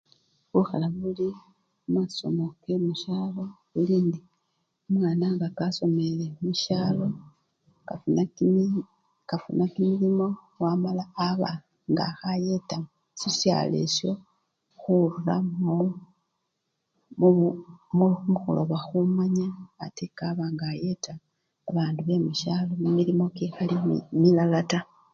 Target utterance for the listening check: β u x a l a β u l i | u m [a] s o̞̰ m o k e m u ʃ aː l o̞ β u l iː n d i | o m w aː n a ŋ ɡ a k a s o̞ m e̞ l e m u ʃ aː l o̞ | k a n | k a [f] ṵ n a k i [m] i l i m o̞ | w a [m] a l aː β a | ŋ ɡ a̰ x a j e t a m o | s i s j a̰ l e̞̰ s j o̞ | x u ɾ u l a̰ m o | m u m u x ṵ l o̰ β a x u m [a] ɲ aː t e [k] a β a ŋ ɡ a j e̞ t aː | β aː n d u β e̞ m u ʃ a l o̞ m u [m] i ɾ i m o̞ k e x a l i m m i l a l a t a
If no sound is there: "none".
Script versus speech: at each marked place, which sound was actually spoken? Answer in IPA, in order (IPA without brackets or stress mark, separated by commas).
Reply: a, f, m, m, a, k, m